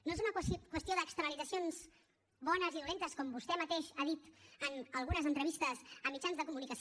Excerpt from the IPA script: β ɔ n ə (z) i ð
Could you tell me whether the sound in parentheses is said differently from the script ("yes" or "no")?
no